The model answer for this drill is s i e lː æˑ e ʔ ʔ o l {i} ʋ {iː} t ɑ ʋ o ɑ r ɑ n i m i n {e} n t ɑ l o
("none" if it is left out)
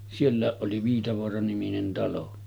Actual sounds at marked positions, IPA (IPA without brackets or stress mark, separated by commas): i, iː, e